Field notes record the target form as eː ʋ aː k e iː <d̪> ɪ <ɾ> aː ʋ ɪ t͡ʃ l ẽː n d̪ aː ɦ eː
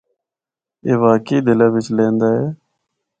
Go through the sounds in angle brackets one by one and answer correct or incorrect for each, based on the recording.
correct, incorrect

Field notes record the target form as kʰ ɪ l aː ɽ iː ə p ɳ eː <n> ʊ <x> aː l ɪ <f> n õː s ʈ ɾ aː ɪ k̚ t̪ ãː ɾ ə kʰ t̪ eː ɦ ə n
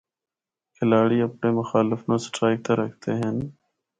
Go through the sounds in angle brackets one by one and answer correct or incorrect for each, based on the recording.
incorrect, correct, correct

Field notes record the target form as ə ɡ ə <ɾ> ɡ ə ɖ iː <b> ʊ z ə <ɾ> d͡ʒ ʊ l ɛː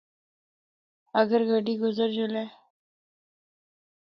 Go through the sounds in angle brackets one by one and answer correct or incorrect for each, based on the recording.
correct, incorrect, correct

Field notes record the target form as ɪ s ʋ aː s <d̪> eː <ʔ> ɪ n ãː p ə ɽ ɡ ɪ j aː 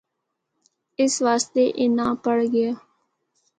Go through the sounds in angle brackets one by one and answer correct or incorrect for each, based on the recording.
incorrect, correct

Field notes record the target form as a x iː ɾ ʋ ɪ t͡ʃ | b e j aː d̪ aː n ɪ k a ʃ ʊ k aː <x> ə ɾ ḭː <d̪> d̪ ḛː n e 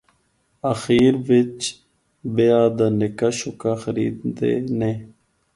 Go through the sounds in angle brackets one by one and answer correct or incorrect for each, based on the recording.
correct, correct

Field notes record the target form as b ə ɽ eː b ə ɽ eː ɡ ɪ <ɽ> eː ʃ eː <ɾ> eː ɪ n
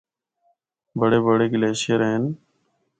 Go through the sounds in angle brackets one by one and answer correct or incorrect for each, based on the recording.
incorrect, correct

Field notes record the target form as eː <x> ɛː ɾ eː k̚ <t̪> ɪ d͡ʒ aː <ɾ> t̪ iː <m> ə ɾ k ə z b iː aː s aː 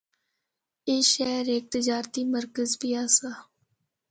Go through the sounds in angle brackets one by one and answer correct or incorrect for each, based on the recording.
incorrect, correct, correct, correct

